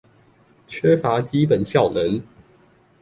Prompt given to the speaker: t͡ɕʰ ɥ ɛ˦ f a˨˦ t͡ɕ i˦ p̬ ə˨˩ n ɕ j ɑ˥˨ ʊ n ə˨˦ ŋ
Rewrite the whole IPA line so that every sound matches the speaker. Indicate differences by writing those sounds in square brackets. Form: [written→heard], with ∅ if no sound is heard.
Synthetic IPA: t͡ɕʰ ɥ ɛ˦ f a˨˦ t͡ɕ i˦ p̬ ə˨˩ n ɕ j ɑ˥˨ ʊ n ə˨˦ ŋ